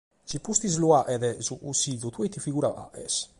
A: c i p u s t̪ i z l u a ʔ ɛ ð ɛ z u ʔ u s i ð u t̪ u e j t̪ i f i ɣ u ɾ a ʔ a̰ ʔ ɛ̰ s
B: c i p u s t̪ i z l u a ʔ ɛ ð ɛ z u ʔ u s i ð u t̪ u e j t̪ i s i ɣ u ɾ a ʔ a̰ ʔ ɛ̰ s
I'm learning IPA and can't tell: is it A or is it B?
A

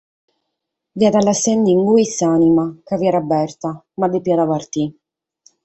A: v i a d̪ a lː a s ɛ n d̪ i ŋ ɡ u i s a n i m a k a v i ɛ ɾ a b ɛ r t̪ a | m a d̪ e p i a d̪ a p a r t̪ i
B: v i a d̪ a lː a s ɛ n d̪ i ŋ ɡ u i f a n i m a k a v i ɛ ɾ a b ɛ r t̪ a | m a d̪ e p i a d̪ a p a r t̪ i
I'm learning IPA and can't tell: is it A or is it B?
A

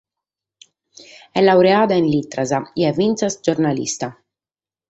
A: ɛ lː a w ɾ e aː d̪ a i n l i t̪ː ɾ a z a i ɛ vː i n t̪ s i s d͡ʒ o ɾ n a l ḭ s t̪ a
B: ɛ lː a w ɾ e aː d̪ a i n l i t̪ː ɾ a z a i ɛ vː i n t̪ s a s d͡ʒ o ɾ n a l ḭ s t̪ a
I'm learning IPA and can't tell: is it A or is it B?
B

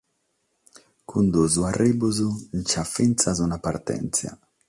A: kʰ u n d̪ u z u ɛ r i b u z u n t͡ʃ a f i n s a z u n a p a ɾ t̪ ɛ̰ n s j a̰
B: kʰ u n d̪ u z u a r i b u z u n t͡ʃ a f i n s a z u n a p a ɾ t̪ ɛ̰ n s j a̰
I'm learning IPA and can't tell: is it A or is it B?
B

